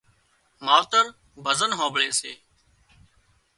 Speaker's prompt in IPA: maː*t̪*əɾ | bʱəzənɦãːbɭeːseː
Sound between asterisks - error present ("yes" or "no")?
no